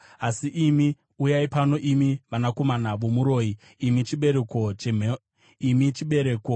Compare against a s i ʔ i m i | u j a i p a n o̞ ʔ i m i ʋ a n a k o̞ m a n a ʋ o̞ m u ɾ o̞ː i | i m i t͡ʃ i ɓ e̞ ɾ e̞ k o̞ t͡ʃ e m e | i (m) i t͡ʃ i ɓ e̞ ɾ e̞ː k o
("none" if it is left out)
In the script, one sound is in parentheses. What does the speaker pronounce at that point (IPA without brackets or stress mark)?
m